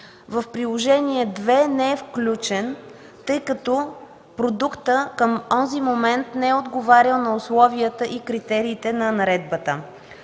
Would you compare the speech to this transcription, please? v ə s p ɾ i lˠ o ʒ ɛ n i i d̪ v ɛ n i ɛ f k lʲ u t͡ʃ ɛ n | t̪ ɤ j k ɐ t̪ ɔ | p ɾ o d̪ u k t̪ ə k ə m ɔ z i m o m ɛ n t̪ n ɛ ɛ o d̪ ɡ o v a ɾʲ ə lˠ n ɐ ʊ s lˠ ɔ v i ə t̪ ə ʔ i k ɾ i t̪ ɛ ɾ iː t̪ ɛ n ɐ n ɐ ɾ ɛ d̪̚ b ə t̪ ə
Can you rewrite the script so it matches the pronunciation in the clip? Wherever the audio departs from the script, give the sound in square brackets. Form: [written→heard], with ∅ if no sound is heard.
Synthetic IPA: v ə [s→f] p ɾ i lˠ o ʒ ɛ n i [i→ɛ] d̪ v ɛ n [i→ɛ] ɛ f k lʲ u t͡ʃ ɛ n | t̪ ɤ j k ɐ t̪ ɔ | p ɾ o d̪ u k t̪ ə k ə m ɔ z i m o m ɛ n t̪ n ɛ ɛ o d̪ ɡ o v a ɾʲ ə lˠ n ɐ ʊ s lˠ ɔ v i ə t̪ ə ʔ i k ɾ i t̪ ɛ ɾ iː t̪ ɛ n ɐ n ɐ ɾ ɛ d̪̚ b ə t̪ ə